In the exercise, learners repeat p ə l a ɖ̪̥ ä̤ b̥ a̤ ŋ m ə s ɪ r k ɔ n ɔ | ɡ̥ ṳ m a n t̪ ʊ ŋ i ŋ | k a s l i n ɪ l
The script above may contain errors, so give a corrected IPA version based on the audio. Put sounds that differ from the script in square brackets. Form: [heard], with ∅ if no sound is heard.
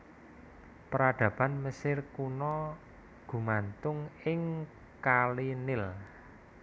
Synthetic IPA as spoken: p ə [ɾ] a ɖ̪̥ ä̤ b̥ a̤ [n] m ə s ɪ r k [u] n ɔ | ɡ̥ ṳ m a n t̪ ʊ ŋ [ɪ] ŋ | k a [∅] l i n ɪ l